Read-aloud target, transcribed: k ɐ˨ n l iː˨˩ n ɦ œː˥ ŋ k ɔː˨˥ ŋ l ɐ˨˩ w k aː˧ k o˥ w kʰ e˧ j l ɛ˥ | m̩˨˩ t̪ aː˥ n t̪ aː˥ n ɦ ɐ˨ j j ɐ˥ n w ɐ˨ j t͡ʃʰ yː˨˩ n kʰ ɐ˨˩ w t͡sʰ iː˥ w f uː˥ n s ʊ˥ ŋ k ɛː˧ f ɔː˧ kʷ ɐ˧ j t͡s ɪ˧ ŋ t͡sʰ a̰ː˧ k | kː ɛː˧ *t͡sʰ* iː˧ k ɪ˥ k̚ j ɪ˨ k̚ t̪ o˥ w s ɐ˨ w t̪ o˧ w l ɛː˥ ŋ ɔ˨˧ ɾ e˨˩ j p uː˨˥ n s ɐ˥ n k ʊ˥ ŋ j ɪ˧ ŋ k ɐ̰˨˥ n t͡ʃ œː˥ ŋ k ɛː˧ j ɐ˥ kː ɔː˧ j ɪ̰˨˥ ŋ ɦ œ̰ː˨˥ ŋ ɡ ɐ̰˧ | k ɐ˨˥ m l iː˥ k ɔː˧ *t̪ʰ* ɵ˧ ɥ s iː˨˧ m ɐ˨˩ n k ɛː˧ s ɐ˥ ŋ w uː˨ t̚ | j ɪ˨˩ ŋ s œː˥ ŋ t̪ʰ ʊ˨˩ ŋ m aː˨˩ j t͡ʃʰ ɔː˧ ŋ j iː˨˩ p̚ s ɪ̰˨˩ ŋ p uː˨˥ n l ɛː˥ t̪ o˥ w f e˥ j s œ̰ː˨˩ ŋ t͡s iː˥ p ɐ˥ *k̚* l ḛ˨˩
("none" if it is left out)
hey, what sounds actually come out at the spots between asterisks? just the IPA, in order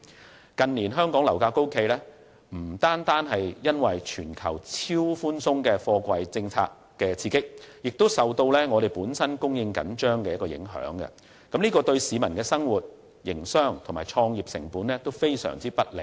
t͡sʰ, t̪, t̚

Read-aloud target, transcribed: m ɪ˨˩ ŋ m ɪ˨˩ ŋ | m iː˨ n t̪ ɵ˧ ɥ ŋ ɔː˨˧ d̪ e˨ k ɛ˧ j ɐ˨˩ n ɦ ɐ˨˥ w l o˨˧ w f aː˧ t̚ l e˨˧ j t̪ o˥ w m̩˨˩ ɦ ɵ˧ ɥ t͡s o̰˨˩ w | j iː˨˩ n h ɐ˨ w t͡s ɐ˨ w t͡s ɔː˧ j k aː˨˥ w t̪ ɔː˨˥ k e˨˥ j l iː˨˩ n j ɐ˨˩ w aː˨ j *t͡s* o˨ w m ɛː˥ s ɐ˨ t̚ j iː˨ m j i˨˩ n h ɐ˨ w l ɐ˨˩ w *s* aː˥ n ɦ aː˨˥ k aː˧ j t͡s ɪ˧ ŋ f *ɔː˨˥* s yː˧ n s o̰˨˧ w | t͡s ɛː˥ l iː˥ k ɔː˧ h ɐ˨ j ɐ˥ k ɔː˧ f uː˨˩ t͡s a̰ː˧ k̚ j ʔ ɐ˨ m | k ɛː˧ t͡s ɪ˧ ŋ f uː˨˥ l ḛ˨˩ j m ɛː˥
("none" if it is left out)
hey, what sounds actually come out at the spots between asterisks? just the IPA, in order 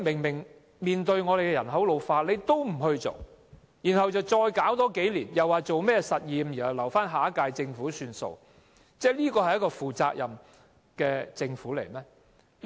t͡s, f, uː˨˥

